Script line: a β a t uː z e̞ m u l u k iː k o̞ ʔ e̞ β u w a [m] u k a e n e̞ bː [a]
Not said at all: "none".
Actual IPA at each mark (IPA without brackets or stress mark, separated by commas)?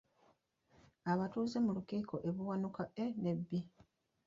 n, i